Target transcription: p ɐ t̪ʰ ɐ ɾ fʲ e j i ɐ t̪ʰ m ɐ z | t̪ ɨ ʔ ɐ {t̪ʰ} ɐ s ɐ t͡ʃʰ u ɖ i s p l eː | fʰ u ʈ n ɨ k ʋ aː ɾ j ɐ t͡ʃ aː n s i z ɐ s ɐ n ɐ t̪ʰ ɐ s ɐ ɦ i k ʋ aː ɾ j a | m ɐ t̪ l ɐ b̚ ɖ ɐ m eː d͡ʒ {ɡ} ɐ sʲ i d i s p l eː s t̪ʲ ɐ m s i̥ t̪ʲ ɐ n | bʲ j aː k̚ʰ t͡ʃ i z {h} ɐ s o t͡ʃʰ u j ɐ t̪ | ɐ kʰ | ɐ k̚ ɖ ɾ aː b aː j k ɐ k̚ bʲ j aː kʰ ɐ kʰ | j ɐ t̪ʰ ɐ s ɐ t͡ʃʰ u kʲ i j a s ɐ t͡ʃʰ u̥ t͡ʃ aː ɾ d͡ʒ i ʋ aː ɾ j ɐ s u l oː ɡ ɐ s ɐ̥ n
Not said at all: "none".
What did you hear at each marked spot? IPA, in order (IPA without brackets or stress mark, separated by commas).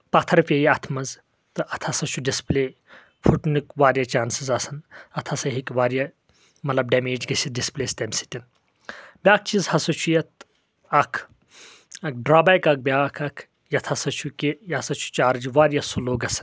t̪ʰ, ɡ, h